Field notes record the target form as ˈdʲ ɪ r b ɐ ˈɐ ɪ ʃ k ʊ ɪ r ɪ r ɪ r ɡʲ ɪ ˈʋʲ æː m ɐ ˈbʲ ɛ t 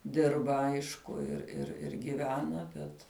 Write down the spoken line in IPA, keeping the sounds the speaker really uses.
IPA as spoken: ˈdʲ ɪ r b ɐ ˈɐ ɪ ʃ k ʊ ɪ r ɪ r ɪ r ɡʲ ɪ ˈʋʲ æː n ɐ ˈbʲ ɛ t